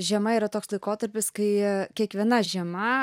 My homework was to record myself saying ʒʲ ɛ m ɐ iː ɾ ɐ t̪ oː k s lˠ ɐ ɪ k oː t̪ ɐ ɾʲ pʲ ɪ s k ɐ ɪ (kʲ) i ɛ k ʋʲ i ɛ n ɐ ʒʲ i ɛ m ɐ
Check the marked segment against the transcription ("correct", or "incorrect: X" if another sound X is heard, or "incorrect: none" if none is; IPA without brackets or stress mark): correct